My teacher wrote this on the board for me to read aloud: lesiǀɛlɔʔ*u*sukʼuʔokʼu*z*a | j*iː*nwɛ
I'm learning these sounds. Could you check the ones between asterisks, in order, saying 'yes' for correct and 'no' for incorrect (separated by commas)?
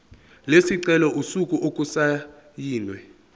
yes, no, yes